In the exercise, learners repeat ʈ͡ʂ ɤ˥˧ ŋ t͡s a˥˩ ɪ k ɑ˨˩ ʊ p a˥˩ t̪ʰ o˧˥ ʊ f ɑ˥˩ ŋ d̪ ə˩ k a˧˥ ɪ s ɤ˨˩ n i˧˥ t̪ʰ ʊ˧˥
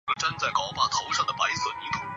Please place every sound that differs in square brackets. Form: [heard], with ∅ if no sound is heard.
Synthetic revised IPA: ʈ͡ʂ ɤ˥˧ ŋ t͡s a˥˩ ɪ k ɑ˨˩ ʊ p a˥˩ t̪ʰ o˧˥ ʊ [ʂ] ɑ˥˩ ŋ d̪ ə˩ [p] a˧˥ ɪ s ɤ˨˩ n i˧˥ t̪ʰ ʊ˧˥